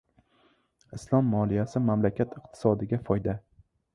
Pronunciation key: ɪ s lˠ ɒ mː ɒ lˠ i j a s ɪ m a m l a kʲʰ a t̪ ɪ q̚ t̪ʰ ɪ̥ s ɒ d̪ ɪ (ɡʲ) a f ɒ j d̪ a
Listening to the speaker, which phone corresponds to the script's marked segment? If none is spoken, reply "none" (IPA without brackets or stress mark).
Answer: ɡʲ